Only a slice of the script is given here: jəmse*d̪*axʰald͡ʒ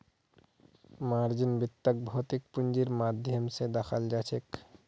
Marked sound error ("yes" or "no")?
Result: no